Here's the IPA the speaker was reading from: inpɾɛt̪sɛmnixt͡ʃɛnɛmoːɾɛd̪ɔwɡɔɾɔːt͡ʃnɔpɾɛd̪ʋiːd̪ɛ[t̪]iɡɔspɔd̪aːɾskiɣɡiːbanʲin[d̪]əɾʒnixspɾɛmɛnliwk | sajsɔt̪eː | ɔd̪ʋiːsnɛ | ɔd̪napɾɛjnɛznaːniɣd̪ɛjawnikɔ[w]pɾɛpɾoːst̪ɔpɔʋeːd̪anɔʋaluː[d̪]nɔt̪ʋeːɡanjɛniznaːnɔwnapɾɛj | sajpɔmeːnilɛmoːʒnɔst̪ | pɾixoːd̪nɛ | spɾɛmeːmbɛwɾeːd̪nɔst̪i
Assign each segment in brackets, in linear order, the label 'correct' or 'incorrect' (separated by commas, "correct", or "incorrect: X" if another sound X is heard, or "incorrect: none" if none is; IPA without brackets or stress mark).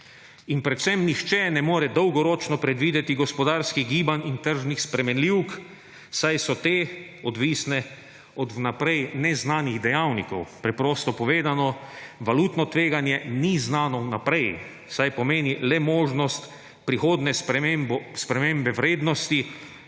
correct, incorrect: t̪, correct, incorrect: t̪